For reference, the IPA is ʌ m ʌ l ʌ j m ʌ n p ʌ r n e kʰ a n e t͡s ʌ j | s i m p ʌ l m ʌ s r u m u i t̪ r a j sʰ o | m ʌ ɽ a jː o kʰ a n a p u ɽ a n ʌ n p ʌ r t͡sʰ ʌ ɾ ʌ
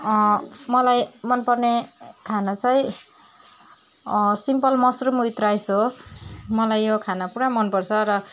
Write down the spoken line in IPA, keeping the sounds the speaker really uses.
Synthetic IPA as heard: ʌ m ʌ l a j m ʌ n p ʌ r n e kʰ a n a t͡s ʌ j | s i m p ʌ l m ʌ s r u m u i t̪ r a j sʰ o | m ʌ l a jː o kʰ a n a p u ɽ a m ʌ n p ʌ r t͡sʰ ʌ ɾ ʌ